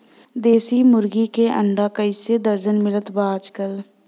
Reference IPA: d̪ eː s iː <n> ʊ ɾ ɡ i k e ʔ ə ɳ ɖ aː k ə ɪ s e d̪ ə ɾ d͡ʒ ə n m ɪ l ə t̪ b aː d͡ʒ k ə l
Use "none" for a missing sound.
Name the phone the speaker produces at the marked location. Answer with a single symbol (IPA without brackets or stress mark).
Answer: m